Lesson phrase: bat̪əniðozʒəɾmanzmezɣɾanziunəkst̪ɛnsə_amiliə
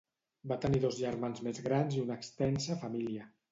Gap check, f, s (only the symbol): f